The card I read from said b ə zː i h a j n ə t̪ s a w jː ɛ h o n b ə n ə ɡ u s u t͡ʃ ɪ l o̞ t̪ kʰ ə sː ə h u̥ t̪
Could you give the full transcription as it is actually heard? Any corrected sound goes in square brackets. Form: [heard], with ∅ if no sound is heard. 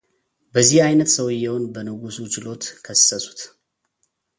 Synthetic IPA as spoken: b ə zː i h a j n ə t̪ s [ə] w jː ɛ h o n b ə n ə ɡ u s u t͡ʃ ɪ l o̞ t̪ kʰ ə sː ə [s] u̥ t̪